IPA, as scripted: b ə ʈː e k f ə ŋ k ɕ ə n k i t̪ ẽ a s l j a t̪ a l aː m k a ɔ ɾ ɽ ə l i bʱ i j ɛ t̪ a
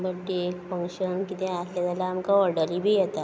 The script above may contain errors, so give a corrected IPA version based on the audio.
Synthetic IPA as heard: b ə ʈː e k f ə ŋ k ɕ ə n k i t̪ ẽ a s l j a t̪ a l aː m k a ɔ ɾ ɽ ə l i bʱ i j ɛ t̪ a